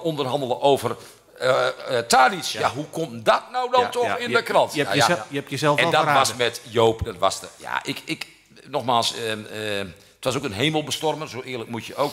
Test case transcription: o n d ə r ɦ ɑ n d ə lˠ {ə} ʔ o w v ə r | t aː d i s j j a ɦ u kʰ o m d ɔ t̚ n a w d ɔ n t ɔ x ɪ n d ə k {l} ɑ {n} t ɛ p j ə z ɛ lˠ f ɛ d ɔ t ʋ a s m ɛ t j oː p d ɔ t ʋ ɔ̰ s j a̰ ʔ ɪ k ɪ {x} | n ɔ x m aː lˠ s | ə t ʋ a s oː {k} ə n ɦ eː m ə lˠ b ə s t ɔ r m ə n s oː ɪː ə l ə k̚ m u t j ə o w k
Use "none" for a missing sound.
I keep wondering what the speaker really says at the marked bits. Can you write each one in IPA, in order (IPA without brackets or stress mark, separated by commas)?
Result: ə, r, n, k, k